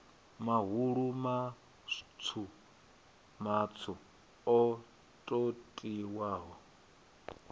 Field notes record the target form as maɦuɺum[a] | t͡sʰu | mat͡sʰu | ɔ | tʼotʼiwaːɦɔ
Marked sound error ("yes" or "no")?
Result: no